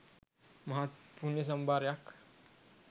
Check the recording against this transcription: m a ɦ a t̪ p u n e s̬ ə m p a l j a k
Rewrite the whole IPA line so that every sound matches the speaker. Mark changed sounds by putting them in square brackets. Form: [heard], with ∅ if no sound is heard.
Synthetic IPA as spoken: m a ɦ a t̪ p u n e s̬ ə m [b] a [ɾ] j a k